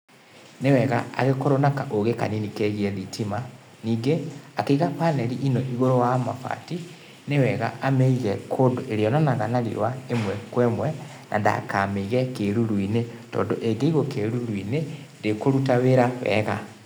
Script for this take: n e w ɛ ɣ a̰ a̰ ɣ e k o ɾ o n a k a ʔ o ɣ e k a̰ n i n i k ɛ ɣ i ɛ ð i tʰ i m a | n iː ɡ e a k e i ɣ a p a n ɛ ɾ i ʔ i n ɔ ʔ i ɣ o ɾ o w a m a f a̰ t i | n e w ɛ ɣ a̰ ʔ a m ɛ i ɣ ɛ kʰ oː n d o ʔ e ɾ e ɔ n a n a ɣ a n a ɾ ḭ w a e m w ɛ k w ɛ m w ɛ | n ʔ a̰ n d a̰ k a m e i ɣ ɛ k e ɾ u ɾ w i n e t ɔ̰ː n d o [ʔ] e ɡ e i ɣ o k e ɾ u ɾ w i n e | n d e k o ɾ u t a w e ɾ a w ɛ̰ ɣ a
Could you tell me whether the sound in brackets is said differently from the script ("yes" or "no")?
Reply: no